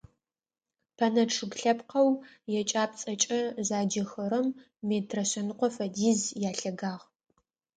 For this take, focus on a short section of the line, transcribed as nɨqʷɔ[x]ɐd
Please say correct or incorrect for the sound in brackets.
incorrect